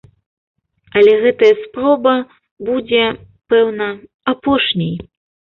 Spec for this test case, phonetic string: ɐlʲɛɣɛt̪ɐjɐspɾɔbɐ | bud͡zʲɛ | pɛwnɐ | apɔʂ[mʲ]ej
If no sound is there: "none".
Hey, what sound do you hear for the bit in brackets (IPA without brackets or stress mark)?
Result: nʲ